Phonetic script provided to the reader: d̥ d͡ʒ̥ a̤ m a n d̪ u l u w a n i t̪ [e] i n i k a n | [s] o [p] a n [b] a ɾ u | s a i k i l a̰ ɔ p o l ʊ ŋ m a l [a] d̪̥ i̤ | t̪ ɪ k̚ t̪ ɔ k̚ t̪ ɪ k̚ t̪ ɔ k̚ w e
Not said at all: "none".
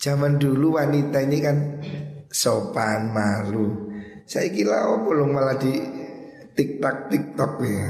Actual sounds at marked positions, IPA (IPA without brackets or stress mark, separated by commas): a, s, p, m, a